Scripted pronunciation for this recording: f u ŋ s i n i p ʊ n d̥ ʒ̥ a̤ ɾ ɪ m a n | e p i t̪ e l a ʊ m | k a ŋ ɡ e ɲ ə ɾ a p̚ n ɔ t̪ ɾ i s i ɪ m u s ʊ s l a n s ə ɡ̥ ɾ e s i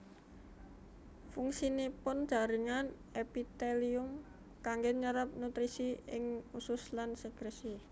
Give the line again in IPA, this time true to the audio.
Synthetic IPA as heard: f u ŋ s i n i p ʊ n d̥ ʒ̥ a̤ ɾ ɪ ŋ a n | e p i t̪ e l i ʊ m | k a ŋ ɡ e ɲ ə ɾ a p̚ n u t̪ ɾ i s i ɪ ŋ u s ʊ s l a n s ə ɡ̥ ɾ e s i